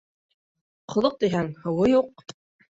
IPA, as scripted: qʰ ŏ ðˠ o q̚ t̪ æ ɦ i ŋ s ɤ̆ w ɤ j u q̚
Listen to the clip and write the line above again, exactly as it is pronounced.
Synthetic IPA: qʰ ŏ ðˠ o q̚ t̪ i ɦ æ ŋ h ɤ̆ w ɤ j u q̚